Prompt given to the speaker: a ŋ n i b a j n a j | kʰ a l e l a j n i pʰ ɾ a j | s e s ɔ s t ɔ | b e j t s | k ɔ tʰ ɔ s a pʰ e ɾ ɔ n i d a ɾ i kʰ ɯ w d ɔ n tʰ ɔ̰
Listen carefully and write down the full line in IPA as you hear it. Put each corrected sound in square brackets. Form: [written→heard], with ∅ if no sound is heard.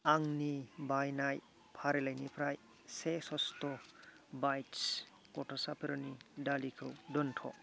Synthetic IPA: a ŋ n i b a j n a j | [kʰ→pʰ] a [l→ɾ] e l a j n i pʰ ɾ a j | s e s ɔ s t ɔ | b [e→a] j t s | k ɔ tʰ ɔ s a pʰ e ɾ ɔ n i d a [ɾ→l] i kʰ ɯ w d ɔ n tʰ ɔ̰